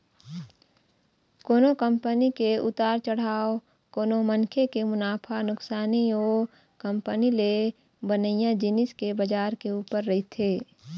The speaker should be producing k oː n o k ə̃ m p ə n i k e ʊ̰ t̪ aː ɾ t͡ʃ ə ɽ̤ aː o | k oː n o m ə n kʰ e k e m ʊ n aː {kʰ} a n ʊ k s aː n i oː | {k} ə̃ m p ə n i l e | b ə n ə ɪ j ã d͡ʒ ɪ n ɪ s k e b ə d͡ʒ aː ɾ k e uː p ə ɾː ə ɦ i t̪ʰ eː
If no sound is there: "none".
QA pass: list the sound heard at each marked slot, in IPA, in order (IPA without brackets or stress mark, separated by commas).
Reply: pʰ, k